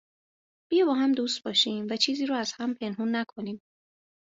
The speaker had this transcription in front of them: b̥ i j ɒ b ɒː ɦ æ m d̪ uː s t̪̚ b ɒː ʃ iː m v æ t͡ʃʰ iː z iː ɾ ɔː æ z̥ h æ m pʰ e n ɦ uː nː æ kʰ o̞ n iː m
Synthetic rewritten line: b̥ i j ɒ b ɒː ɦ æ m d̪ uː s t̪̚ b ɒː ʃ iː m v æ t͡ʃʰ iː z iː ɾ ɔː æ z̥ h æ m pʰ e n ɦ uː nː æ kʰ o̞ n iː m